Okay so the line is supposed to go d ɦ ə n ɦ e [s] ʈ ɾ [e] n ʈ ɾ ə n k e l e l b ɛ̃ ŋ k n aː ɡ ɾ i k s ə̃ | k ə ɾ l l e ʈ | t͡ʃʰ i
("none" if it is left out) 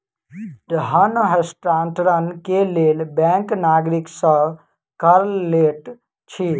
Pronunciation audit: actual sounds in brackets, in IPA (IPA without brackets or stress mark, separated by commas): s, a